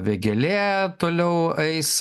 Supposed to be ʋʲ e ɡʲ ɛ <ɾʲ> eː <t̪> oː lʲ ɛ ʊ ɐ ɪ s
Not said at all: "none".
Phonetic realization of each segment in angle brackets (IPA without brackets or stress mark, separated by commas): lʲ, t̪